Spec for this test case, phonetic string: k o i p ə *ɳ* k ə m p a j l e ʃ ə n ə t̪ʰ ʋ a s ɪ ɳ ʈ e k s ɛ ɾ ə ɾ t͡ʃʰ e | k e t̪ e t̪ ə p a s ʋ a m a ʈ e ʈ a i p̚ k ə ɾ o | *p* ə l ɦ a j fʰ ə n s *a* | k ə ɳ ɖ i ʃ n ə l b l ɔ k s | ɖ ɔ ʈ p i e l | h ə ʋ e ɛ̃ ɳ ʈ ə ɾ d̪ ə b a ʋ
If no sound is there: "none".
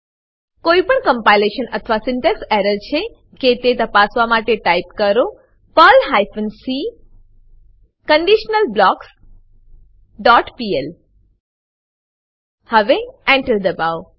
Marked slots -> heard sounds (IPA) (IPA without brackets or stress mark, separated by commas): ɳ, p, i